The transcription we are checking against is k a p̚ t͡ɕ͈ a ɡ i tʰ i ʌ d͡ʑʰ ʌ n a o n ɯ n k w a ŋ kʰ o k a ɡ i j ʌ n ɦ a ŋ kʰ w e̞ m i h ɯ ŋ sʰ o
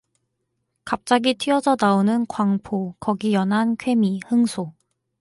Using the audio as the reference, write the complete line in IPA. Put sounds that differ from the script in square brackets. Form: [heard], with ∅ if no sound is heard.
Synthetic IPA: k a p̚ t͡ɕ͈ a ɡ i tʰ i ʌ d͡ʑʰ ʌ n a o n ɯ n k w a ŋ [pʰ] o k [ʌ] ɡ i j ʌ n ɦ a [n] kʰ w e̞ m i h ɯ ŋ sʰ o